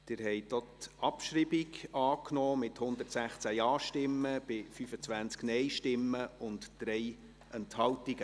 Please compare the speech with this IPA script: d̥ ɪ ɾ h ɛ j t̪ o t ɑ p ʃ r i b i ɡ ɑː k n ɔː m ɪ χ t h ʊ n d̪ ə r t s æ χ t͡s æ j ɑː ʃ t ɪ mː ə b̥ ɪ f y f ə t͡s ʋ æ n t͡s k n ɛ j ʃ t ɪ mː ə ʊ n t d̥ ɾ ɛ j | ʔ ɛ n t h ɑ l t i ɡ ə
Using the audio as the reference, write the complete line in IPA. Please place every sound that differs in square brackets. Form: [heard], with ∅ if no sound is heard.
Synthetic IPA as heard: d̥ ɪ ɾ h ɛ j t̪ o t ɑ p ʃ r i b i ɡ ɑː k n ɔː m ɪ [∅] t h ʊ n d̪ ə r t s æ χ t͡s æ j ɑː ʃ t ɪ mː ə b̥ ɪ f y f ə t͡s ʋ æ n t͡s k n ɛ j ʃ t ɪ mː ə ʊ n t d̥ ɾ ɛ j | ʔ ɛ n t h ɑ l t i ɡ ə